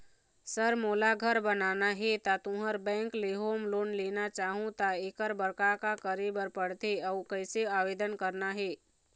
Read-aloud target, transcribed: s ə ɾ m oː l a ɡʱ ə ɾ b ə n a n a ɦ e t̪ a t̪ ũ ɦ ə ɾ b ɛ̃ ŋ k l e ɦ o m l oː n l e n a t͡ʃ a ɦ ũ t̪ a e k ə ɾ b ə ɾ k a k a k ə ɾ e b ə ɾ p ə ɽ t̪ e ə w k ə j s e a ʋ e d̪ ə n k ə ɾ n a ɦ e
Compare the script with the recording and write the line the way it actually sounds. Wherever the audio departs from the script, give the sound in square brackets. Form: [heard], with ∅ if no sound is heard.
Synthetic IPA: s ə ɾ m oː l a ɡʱ ə ɾ b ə n a n a ɦ e t̪ a t̪ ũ ɦ ə ɾ b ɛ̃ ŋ k l e ɦ o m l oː n l e n a t͡ʃ a ɦ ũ t̪ a e k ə ɾ b ə ɾ k a k a k ə ɾ e b ə ɾ p ə ɽ t̪ e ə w k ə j s e a ʋ e d̪ ə n k ə ɾ n a ɦ e